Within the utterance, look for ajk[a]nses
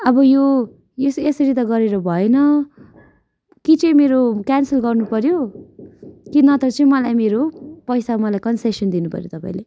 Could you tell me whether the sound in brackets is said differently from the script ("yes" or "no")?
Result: yes